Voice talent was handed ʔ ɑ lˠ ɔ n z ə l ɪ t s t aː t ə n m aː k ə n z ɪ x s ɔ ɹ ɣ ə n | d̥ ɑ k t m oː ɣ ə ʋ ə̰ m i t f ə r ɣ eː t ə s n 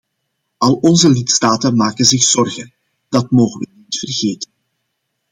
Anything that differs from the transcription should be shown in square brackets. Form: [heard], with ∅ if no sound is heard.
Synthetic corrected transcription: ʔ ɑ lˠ ɔ n z ə l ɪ t s t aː t ə n m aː k ə n z ɪ x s ɔ [r] ɣ ə n | d̥ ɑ [∅] t m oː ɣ ə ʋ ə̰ [n] i t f ə r ɣ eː t ə [∅] n